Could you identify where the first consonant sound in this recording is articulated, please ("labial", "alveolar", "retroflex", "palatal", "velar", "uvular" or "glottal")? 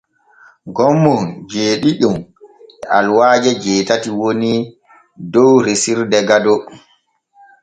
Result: velar